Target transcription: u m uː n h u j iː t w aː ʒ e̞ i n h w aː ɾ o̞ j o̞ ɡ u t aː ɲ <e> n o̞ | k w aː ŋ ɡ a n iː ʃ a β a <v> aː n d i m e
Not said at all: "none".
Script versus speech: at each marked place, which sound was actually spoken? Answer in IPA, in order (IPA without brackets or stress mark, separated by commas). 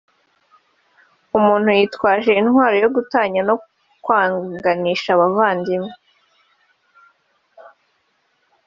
a, v